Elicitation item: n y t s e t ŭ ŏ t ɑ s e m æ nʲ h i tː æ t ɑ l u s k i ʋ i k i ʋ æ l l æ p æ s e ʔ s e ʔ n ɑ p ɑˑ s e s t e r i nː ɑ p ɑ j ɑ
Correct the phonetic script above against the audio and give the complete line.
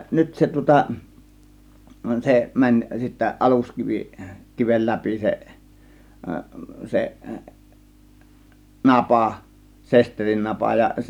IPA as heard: n y t s e t ŭ ŏ t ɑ s e m æ nʲ s i tː æ ʔ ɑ l u s k i ʋ i k i ʋ e l l æ p i s e ʔ s e ʔ n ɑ p ɑˑ s e s t e r i nː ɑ p ɑ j ɑ

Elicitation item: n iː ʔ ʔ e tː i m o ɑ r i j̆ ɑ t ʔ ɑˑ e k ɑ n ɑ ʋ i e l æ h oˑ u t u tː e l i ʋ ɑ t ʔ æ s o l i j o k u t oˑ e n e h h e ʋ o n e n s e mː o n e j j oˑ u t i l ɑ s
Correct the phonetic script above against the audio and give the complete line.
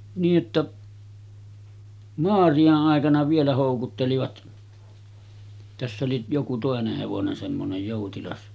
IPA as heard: n iː ʔ ʔ e tː æ m o ɑ r i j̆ ɑ ʔ ʔ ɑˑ e k ɑ n ɑ ʋ i e l æ h oˑ u k u tː e l i ʋ ɑ t t æ sː o l i j o k u t oˑ e n e h h e ʋ o n e n s e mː o n e j j oˑ u t i l ɑ s

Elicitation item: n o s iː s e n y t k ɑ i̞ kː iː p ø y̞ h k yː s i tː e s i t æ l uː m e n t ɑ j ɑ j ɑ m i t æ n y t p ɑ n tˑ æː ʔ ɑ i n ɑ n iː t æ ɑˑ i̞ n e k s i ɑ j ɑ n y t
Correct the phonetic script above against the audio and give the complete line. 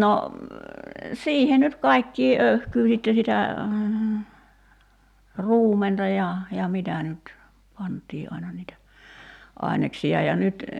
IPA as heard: n o s iː h e n y t k ɑ i̞ kː iː ʔ ø y̞ h k yː s i tː e s i t æ r uː m e n t ɑ j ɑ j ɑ m i t æ n y t p ɑ n tˑ iː ʔ ɑ i n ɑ n iː t æ ɑˑ i̞ n e k s i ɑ j ɑ n y t

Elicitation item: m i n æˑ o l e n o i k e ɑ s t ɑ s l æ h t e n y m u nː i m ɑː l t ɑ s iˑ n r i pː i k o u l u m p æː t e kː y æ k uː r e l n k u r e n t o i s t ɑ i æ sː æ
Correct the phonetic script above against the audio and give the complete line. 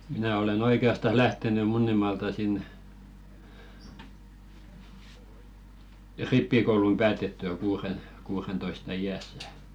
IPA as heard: m i n æˑ o l e n o i k e ɑ s t ɑ s l æ h t e n y m u nː i m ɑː l t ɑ s iˑ n r i pː i k o u l u m p æː t e tː y æ k uː r e n k uː r e n t o i s t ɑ i æ sː æ

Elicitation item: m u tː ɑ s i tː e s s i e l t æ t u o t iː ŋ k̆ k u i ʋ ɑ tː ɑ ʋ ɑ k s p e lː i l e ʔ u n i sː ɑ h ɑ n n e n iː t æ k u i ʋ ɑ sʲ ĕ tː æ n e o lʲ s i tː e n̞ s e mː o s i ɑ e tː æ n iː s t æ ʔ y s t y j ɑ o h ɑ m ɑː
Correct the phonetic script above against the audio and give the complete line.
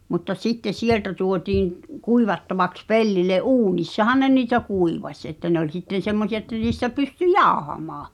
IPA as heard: m u tː ɑ s i tː e s s i e l t æ t u o t iː ŋ k̆ k u i ʋ ɑ tː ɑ ʋ ɑ k s p e lː i l e ʔ uː n i sː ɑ h ɑ n n e n iː t æ k u i ʋ ɑ sʲ ĕ tː æ n e o lʲ s i tː e n̞ s e mː o s i ɑ e tː æ n iː s t æ p y s t y j ɑ o h ɑ m ɑː

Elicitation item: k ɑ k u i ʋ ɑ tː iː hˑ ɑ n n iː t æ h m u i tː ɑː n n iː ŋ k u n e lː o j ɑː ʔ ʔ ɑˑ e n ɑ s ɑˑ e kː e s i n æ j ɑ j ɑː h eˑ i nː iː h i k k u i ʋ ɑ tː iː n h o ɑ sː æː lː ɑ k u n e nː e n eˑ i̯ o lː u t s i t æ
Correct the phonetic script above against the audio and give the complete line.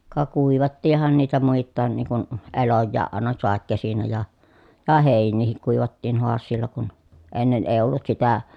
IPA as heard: k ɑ k u i ʋ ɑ tː iː hˑ ɑ n n iː t æ m u i tː ɑː n n iː ŋ k u n e l o jː ɑː ʔ ʔ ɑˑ e n ɑ s ɑˑ e kː e s i n æ j ɑ j ɑ h eˑ i nː iː h i k k u i ʋ ɑ tː iː n h o ɑ sː iː lː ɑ k u n e nː e n eˑ i̯ o lː u t s i t æ

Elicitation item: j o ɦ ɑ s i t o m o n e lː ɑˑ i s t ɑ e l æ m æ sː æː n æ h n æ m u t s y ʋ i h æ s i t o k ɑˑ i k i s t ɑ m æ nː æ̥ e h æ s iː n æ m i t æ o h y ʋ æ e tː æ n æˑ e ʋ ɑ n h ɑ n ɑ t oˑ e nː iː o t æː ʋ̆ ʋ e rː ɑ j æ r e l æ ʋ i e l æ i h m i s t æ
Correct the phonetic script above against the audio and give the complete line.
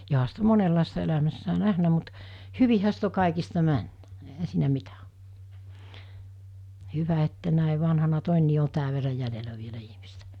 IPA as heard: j o ɦ ɑ s i t o m o n e lː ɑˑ i s t ɑ e l æ m æ sː æː n æ h n æ m u t h y ʋ i h æ s i t o k ɑˑ i k i s t ɑ m æ nː æ̥ e h æ s iː n æ m i t æ o h y ʋ æ e tː æ n æˑ e ʋ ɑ n h ɑ n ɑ t oˑ e nː iː o t æː ʋ̆ ʋ e rː ɑ j æ l e l æ ʋ i e l æ i h m i s t æ

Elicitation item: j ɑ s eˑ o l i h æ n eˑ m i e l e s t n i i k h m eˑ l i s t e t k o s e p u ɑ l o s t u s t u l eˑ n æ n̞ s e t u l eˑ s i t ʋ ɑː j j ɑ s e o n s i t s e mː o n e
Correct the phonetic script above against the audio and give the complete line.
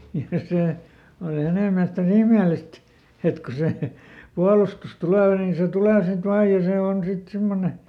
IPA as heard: j ɑ s eˑ o l i h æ n eˑ m i æ l e s t n i i h m eˑ l i s t e t k o s e p u ɑ l u s t u s t u l eˑ n i n̞ s e t u l eˑ s i t ʋ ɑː j j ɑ s e o n s i t s i mː o n e

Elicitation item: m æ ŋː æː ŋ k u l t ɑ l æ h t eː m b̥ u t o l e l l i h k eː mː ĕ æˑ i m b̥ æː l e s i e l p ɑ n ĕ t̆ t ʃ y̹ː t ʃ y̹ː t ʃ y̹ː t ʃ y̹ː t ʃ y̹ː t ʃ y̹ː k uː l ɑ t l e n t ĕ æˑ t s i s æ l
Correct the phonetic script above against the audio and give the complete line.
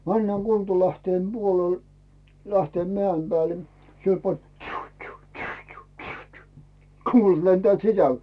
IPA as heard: m æ nː æː ŋ k u l t ɑ l æ h t eː m b̥ u o l e l l æ h t eː mː ĕ æˑ i m b̥ æː l e s i e l p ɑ n ĕ t̆ t ʃ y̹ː t ʃ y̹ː t ʃ y̹ː t ʃ y̹ː t ʃ y̹ː t ʃ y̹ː k uː l ɑ t l e n t ĕ æˑ t s i s æ l

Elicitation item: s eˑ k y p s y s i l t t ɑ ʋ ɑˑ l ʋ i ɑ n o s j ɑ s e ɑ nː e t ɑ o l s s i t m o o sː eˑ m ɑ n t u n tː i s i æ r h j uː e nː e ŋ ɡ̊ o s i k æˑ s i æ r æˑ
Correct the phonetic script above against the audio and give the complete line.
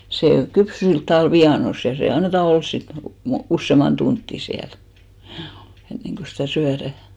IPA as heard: s eˑ k y p s y s i l t t ɑ ʋ ɑˑ l ʋ i ɑ n o s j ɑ s e ɑ nː e t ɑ o l s s i t m o u sː eˑ m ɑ n t u n tː i s i æ l h j uː e nː e ŋ ɡ̊ o s i t æˑ s y æ r æˑ

